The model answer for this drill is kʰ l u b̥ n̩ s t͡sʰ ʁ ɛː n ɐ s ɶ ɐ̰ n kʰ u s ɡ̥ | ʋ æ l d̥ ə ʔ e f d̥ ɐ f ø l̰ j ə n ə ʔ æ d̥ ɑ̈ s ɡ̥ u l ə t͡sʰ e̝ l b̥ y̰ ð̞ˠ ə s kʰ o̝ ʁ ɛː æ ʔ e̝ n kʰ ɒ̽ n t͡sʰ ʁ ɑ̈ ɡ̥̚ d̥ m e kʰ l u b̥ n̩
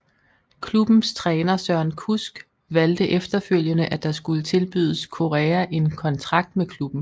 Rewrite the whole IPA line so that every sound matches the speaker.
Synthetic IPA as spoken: kʰ l u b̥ n̩ s t͡sʰ ʁ ɛː n ɐ s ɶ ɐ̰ n kʰ u s ɡ̥ | ʋ æ l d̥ ə ʔ e f d̥ ɐ f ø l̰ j ə n ə ʔ æ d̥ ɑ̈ s ɡ̥ u l ə t͡sʰ e̝ l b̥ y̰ ð̞ˠ ə s kʰ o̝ ʁ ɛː æ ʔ e̝ n kʰ ɒ̽ n t͡sʰ ʁ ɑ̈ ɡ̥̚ d̥ m e kʰ l u b̥ n̩